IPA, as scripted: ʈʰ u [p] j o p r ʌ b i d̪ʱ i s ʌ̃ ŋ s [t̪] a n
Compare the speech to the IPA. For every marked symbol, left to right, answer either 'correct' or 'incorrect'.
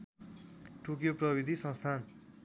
incorrect: k, incorrect: t̪ʰ

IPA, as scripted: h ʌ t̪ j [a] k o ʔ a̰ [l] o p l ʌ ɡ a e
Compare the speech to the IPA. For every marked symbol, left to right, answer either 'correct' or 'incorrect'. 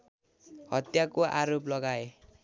correct, incorrect: ɾ

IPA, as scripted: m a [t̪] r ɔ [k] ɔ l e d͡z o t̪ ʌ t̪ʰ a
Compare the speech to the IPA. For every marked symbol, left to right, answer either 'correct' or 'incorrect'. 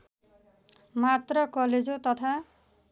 correct, correct

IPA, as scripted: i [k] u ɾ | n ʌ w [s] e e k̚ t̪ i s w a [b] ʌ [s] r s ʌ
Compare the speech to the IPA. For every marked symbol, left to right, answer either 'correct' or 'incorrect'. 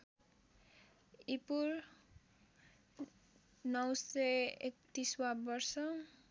incorrect: p, correct, correct, incorrect: none

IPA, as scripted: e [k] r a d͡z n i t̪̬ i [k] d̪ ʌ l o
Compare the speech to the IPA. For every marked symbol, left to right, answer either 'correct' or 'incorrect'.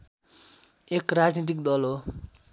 correct, correct

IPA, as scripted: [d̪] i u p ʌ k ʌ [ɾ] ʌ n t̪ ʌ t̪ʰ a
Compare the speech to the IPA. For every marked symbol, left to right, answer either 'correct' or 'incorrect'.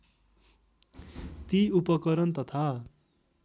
incorrect: t̪, correct

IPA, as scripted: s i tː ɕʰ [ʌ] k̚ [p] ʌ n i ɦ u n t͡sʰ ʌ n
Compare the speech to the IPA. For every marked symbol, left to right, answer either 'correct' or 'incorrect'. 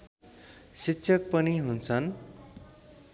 correct, correct

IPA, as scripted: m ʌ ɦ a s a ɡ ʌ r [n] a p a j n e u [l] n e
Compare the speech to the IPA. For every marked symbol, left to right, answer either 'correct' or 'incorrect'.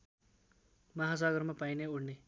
incorrect: m, incorrect: ɽ

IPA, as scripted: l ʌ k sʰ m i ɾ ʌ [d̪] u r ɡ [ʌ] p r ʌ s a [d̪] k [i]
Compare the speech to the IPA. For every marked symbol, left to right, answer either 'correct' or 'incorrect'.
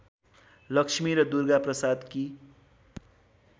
correct, incorrect: a, correct, correct

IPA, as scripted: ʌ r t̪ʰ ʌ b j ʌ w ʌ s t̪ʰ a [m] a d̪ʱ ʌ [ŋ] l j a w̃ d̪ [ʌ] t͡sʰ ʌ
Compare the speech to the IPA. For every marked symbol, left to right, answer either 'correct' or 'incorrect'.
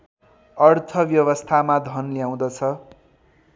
correct, incorrect: n, correct

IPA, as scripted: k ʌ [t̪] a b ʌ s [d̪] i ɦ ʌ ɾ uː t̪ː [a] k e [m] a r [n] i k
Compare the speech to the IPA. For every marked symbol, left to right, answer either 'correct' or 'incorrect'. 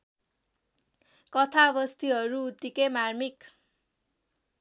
incorrect: t̪ʰ, incorrect: t̪, incorrect: i, correct, incorrect: m

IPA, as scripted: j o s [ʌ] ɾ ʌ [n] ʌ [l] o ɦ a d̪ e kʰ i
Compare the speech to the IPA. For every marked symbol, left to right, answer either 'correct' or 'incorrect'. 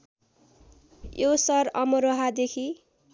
correct, incorrect: m, incorrect: ɾ

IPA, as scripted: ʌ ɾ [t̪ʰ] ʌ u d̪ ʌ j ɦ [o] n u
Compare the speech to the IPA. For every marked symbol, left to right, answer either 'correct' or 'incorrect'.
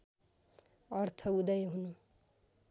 correct, incorrect: u

